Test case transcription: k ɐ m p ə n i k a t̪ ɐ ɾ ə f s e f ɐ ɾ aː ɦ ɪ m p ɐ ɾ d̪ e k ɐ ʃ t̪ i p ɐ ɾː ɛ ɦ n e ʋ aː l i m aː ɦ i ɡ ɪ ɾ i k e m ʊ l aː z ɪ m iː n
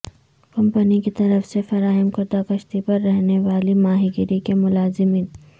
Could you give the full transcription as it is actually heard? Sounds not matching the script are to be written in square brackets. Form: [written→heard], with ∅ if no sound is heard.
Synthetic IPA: k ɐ m p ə n i k [a→i] t̪ ɐ ɾ ə f s e f ɐ ɾ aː ɦ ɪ m [p→k] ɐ ɾ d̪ [e→a] k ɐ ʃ t̪ i p ɐ ɾː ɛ ɦ n e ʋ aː l i m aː ɦ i ɡ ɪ ɾ i k e m ʊ l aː z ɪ m iː n